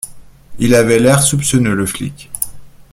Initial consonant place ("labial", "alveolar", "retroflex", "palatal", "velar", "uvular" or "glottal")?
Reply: alveolar